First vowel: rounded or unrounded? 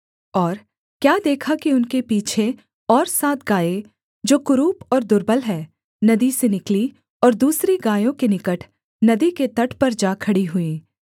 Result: rounded